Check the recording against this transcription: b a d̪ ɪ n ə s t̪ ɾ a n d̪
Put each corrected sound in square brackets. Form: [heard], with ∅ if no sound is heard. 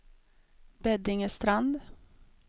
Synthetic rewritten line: b [ɛ] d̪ ɪ [ŋ] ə s t̪ ɾ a n d̪